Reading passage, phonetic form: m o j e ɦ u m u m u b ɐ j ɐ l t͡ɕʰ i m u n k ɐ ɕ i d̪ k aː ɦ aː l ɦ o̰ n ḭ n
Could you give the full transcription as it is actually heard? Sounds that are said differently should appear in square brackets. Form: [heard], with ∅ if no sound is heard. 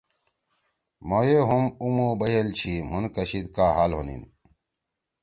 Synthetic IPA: m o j e ɦ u m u m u b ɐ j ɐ l t͡ɕʰ i m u n k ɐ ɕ i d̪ k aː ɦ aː l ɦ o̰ n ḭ n